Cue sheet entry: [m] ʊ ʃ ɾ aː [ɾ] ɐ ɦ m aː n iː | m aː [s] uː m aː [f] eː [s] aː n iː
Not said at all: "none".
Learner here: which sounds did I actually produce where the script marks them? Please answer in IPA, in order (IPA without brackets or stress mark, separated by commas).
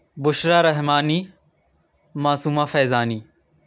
b, ɾ, s, f, z